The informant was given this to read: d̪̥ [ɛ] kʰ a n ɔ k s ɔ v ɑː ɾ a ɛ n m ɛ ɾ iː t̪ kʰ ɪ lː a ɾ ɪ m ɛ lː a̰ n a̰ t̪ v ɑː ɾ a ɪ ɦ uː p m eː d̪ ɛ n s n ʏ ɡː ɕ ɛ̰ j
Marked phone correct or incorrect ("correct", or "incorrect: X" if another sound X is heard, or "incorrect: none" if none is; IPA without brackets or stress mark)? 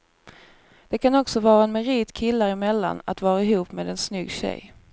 correct